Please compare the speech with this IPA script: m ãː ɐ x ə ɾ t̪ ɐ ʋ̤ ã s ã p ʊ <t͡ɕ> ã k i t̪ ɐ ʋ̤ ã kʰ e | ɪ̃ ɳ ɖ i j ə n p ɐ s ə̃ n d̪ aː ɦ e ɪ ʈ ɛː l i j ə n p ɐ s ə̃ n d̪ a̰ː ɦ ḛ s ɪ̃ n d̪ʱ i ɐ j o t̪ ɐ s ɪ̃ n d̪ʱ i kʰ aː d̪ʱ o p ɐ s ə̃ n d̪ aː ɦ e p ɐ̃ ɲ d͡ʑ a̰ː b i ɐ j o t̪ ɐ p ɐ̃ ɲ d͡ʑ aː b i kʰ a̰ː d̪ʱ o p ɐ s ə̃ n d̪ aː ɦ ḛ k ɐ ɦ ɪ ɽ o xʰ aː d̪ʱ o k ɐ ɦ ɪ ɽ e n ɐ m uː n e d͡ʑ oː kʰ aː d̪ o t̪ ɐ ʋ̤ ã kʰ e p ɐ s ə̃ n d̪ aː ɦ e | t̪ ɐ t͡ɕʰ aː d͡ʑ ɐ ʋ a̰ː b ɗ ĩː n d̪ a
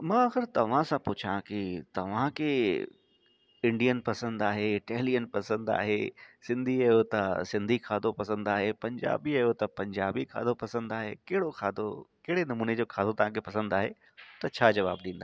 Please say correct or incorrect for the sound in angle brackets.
incorrect